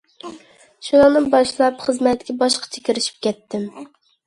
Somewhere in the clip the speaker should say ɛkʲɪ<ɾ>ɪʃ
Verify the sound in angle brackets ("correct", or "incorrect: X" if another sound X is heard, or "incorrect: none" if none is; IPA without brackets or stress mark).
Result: correct